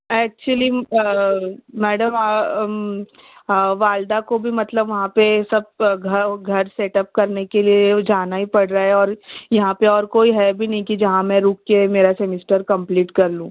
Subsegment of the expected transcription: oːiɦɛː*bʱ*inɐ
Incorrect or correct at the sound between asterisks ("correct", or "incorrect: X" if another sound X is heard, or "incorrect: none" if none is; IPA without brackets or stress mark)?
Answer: correct